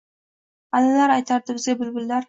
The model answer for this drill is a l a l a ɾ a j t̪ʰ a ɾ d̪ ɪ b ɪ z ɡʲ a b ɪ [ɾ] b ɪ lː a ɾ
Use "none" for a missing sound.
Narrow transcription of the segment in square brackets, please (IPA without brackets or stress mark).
l